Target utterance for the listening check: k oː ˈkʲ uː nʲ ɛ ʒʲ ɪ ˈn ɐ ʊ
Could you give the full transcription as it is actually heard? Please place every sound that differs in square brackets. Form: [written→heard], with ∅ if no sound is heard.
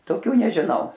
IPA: [k→t] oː ˈkʲ uː nʲ ɛ ʒʲ ɪ ˈn ɐ ʊ